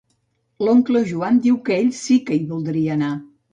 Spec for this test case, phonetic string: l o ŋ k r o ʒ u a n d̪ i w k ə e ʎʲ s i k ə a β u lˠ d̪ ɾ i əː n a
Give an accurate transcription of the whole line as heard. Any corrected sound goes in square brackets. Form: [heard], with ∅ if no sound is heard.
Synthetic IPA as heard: l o ŋ k [l] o ʒ u a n d̪ i w k ə e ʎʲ s i k ə [i] β u lˠ d̪ ɾ i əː n a